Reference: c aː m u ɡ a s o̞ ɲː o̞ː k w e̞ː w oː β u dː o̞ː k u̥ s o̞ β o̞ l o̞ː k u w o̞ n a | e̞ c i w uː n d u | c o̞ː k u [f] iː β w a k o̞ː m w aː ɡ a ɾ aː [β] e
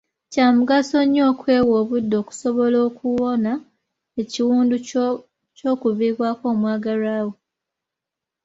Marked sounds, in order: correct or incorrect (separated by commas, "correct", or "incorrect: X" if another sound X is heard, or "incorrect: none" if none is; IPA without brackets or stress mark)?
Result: incorrect: v, incorrect: w